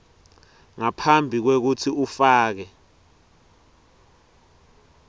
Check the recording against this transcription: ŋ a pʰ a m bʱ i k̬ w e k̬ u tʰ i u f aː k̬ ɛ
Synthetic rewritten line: ŋ a pʰ a m bʱ i k̬ w e k̬ u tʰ i u f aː k̬ ɛ